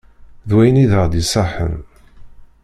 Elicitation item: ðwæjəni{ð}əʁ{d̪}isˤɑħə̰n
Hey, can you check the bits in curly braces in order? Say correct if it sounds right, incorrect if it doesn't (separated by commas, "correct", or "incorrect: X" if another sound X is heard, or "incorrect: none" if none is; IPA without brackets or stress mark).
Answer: correct, correct